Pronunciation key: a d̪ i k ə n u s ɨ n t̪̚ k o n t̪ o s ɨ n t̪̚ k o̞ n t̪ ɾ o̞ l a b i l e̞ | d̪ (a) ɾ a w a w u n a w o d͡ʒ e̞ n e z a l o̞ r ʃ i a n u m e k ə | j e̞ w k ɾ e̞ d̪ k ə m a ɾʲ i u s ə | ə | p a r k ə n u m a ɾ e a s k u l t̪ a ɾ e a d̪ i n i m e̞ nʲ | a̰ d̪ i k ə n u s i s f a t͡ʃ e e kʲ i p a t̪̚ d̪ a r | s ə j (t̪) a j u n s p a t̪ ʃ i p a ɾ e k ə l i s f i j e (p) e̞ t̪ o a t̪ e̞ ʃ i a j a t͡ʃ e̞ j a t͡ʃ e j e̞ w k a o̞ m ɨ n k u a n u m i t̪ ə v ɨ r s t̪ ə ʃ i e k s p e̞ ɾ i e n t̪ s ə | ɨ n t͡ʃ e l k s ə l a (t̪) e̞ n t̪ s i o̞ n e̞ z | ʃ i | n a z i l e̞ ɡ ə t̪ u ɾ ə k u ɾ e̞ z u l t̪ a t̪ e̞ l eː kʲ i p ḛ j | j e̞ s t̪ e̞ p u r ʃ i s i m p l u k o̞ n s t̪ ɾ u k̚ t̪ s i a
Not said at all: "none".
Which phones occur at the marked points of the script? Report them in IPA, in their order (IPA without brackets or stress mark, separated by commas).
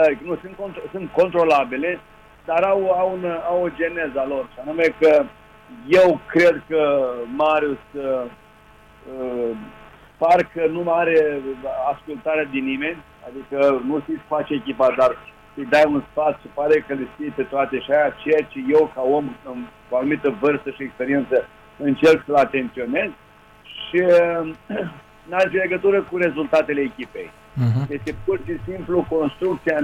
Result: a, d̪, p, t̪